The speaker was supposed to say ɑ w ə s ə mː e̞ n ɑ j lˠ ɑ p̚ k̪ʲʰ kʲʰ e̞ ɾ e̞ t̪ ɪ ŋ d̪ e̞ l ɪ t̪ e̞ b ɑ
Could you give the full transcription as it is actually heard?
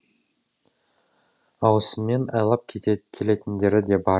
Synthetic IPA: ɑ w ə s ə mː e̞ n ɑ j lˠ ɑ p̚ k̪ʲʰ kʲʰ e̞ l e̞ t̪ ɪ n d̪ e̞ ɾ ɪ d̪ e̞ b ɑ